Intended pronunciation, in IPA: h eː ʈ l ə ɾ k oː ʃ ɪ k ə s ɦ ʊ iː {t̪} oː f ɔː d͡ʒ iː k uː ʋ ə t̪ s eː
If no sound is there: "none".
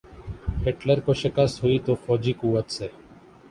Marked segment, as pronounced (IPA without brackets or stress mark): t̪